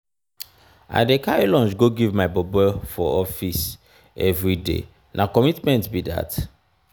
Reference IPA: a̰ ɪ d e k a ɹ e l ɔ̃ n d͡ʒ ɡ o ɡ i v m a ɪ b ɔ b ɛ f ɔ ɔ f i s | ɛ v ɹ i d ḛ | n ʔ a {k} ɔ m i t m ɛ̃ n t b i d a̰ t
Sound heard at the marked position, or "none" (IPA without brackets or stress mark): k